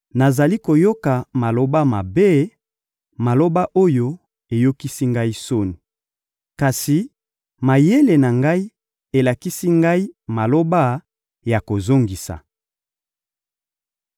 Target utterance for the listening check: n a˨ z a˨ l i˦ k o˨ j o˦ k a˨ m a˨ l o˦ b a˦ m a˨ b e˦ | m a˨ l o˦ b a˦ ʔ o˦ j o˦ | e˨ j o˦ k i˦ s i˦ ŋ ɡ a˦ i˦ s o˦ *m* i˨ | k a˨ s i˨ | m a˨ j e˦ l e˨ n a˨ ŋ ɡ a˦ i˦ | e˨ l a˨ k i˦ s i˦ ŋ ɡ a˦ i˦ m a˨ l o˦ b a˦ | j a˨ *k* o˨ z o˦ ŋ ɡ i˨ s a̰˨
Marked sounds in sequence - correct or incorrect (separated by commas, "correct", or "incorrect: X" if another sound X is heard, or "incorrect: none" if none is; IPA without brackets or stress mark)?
incorrect: n, correct